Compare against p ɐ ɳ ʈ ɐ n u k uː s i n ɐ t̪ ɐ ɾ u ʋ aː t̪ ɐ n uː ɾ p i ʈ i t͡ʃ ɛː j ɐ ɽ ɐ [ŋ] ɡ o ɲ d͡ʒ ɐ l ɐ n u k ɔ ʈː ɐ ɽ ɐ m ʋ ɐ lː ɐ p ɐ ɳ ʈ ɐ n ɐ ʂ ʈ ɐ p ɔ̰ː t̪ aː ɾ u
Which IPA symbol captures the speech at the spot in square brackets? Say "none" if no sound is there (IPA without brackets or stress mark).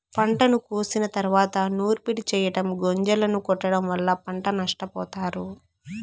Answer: m